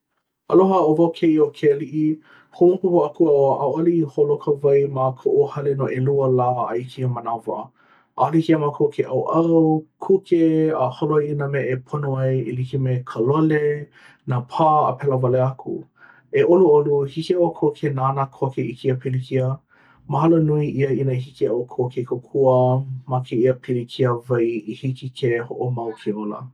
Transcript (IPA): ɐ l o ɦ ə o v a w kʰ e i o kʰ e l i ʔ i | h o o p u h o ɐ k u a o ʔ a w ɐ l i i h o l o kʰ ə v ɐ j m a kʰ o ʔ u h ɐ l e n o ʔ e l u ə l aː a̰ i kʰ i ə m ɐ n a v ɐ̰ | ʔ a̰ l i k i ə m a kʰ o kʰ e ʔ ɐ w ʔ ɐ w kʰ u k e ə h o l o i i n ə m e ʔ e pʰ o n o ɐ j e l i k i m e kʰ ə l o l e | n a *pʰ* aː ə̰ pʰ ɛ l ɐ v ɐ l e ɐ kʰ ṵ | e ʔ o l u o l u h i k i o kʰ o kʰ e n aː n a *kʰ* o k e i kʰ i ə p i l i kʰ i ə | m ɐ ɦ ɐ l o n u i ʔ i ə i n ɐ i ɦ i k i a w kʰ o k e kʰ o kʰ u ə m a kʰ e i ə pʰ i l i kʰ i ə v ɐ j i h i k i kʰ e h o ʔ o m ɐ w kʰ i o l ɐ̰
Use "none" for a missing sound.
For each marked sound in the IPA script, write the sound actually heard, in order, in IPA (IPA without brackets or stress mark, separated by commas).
pʰ, kʰ